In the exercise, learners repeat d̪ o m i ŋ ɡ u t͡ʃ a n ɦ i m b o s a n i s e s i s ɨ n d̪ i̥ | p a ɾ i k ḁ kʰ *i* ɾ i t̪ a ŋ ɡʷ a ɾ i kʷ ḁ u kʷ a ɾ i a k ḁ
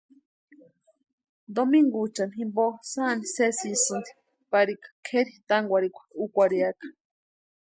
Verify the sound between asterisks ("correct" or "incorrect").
incorrect